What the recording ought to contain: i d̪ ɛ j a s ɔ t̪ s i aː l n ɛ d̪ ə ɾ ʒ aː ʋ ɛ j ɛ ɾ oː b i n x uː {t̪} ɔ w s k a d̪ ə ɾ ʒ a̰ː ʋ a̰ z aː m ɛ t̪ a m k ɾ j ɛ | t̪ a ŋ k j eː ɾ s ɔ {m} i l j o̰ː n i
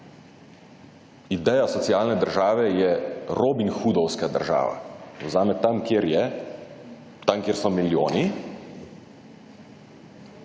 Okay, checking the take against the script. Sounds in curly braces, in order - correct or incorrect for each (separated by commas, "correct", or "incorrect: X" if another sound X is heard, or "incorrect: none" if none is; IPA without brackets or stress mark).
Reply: incorrect: d̪, correct